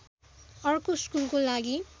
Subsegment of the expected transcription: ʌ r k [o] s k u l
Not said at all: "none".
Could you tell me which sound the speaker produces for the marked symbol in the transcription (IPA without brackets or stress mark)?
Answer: o